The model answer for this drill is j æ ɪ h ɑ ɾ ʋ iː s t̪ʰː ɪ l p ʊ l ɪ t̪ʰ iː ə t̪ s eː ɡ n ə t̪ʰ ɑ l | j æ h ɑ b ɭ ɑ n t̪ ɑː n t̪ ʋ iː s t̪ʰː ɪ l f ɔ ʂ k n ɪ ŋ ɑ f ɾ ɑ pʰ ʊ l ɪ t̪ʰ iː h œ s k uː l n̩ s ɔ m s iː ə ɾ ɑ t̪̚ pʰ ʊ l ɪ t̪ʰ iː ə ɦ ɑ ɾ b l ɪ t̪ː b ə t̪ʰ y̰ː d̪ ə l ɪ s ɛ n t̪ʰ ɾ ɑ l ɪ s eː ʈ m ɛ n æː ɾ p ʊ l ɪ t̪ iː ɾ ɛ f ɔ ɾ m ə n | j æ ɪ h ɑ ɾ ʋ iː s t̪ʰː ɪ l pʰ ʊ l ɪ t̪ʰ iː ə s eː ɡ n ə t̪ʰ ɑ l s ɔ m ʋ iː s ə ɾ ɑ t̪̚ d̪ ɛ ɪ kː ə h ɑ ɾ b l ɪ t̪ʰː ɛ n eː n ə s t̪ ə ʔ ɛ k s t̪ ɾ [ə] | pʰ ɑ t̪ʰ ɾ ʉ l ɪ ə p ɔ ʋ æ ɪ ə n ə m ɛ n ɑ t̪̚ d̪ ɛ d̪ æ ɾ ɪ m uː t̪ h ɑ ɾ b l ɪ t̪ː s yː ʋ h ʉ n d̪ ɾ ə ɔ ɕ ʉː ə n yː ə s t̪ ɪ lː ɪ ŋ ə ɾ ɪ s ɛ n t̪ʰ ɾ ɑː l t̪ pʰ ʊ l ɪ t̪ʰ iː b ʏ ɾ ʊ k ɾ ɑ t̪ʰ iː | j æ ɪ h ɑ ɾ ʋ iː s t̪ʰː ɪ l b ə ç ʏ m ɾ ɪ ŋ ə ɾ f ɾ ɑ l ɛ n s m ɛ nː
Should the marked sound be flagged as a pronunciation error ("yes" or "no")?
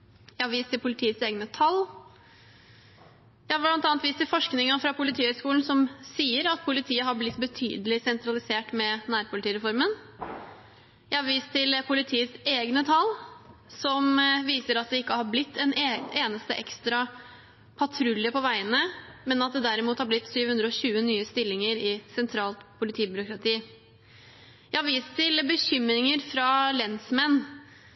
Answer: yes